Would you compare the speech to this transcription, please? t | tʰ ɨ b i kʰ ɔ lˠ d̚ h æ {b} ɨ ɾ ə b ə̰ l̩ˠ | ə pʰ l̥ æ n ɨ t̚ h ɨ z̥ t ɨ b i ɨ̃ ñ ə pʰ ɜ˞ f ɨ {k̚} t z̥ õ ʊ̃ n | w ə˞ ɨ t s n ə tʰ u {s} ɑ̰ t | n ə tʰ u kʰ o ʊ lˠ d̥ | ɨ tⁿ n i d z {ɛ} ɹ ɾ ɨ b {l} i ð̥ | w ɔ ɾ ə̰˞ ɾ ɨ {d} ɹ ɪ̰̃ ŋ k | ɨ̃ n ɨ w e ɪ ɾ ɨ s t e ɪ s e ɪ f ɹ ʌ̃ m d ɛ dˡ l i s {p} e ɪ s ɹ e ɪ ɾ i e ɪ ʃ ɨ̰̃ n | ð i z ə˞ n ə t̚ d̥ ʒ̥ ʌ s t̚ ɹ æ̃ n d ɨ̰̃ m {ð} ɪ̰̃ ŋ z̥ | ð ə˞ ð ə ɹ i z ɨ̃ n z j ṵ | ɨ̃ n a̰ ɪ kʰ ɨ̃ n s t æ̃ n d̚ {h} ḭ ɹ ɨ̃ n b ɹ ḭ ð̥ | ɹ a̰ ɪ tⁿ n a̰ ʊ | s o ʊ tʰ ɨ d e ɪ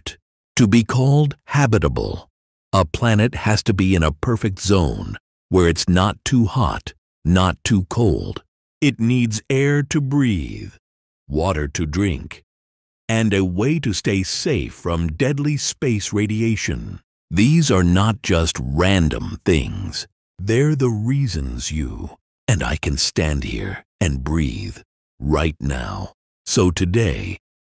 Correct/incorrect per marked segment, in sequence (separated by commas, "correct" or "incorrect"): correct, correct, incorrect, correct, incorrect, correct, correct, incorrect, correct